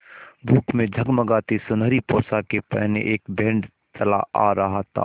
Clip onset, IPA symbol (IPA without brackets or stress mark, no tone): bʱ